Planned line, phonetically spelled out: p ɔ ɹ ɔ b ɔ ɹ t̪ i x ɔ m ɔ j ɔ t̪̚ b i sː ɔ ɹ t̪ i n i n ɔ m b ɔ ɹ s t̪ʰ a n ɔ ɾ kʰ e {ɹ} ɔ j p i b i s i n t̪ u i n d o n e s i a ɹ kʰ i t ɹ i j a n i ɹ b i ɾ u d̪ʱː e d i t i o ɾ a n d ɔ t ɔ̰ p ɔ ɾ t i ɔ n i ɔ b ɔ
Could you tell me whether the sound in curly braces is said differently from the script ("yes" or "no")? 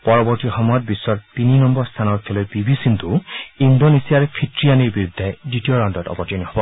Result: yes